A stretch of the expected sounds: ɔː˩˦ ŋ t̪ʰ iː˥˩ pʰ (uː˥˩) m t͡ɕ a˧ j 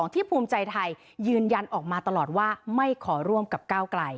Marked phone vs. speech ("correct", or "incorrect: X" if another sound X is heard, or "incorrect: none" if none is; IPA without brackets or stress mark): incorrect: uː˧